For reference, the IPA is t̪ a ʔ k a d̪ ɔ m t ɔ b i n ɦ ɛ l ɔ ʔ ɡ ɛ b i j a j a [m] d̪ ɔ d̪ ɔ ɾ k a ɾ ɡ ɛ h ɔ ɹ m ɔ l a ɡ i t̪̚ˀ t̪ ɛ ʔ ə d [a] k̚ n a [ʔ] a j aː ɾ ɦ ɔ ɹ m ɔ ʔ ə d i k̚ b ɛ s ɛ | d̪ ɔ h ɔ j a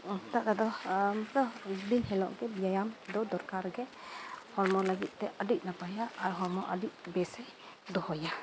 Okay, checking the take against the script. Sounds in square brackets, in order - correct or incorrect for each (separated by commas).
correct, incorrect, incorrect